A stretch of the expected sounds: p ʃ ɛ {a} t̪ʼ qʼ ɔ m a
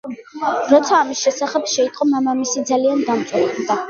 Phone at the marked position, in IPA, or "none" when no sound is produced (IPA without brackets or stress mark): i